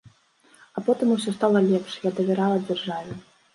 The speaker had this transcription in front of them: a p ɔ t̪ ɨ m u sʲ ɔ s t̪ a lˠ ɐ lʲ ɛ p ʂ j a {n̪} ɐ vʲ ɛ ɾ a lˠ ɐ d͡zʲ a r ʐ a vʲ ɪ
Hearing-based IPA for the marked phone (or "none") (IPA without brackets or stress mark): d̪